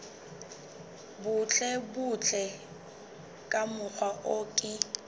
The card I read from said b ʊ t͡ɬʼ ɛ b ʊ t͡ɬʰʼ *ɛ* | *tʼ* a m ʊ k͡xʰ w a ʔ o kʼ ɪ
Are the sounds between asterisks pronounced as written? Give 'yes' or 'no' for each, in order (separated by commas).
yes, no